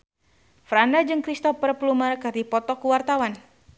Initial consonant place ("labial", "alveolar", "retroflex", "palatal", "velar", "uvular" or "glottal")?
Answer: labial